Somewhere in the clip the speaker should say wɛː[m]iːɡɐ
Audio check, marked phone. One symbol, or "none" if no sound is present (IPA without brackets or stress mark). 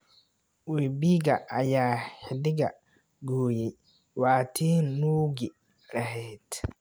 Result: b